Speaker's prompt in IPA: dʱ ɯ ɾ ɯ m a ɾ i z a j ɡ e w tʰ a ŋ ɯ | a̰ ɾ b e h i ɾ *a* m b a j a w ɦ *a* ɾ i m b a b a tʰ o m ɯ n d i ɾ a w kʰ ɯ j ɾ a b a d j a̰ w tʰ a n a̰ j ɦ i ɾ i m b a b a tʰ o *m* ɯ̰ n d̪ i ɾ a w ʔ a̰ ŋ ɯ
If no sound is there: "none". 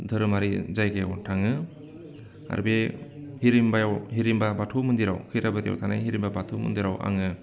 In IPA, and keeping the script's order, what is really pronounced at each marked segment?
i, i, m

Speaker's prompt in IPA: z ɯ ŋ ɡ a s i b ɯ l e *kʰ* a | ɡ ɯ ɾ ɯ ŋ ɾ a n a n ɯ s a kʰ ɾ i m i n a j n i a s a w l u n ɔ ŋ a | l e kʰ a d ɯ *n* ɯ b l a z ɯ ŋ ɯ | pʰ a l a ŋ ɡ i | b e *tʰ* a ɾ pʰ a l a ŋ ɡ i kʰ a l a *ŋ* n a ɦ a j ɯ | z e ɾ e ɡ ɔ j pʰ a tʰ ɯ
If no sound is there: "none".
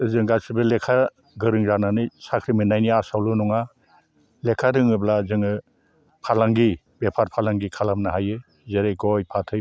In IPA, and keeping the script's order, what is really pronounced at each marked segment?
kʰ, ŋ, pʰ, m

